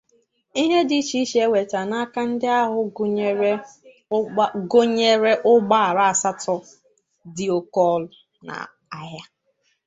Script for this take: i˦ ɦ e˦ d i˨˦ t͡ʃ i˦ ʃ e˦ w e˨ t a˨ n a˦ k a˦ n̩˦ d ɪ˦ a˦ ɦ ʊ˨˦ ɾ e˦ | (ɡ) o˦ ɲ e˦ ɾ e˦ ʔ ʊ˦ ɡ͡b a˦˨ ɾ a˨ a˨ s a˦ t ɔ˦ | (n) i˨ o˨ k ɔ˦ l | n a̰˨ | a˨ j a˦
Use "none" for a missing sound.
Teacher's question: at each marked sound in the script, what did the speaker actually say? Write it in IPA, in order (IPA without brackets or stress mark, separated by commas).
ɡ, d